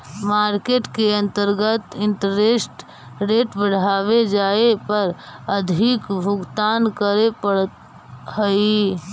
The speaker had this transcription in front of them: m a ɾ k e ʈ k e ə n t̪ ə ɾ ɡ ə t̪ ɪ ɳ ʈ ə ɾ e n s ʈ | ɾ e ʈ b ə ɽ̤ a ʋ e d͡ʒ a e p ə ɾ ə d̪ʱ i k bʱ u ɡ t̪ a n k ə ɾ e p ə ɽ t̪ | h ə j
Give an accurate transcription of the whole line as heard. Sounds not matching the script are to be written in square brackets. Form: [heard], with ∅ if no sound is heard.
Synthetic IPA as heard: m a ɾ k e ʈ k e ə n t̪ ə ɾ ɡ ə t̪ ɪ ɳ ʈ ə ɾ e [∅] s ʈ | ɾ e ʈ b ə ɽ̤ a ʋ e d͡ʒ a e p ə ɾ ə d̪ʱ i k bʱ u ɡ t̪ a n k ə ɾ e p ə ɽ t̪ | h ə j